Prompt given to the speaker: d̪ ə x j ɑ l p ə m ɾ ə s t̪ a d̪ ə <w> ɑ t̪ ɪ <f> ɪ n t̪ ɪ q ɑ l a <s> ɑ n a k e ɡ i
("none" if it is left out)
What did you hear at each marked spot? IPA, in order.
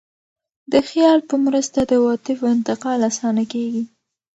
w, f, s

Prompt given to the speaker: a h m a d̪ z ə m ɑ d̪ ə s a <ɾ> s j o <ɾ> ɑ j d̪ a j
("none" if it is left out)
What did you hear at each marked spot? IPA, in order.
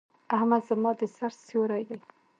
ɾ, ɾ

